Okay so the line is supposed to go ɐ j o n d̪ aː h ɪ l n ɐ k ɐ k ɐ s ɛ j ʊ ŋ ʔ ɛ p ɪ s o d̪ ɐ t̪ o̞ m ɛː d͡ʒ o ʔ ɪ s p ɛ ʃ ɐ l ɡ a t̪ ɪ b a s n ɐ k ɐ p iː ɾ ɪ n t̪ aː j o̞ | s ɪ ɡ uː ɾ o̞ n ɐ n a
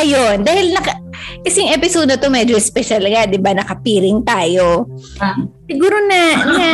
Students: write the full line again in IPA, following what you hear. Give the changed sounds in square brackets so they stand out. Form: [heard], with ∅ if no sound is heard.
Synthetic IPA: ɐ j o n d̪ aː h ɪ l n ɐ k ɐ k ɐ s ɛ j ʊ ŋ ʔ ɛ p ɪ s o d̪ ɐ t̪ o̞ m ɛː d͡ʒ o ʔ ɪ s p ɛ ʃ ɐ l [ŋ] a [d̪] ɪ b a [∅] n ɐ k ɐ p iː ɾ ɪ [ŋ] t̪ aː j o̞ | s ɪ ɡ uː ɾ o̞ n ɐ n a